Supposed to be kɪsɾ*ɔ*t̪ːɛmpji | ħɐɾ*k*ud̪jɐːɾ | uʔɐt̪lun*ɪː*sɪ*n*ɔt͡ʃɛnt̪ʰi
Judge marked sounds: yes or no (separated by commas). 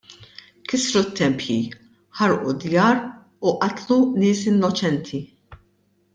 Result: no, no, yes, no